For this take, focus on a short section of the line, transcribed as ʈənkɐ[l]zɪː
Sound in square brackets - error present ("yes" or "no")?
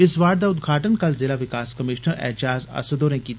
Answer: no